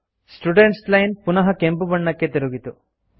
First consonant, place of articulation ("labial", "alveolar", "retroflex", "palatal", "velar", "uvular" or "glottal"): alveolar